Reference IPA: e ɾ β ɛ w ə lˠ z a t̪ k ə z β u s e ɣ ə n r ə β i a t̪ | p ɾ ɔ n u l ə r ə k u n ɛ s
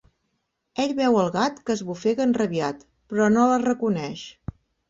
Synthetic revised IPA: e ʎ β ɛ w ə lˠ ɣ a t̪ k ə z β u f e ɣ ə n r ə β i a t̪ | p ɾ ɔ n o l ə r ə k u n ɛ ʃ